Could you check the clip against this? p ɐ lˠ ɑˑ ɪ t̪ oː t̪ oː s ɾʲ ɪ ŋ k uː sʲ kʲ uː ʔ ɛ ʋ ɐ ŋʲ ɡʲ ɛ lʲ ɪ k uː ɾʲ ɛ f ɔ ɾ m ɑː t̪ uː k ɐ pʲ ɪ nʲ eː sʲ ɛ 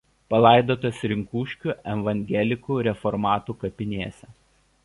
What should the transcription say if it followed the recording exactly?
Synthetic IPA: p ɐ lˠ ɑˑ ɪ d̪ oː t̪ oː s ɾʲ ɪ ŋ k uː ʃʲ kʲ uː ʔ ɛ ʋ ɐ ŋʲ ɡʲ ɛ lʲ ɪ k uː ɾʲ ɛ f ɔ ɾ m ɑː t̪ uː k ɐ pʲ ɪ nʲ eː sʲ ɛ